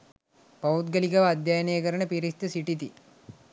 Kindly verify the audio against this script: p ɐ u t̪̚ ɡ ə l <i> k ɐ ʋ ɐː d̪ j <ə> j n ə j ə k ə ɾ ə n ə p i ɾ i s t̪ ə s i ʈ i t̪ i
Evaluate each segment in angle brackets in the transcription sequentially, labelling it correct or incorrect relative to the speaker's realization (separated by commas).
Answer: correct, incorrect